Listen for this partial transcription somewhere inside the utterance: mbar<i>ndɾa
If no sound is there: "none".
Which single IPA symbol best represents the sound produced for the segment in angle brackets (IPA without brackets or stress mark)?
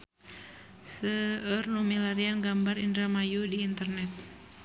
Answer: i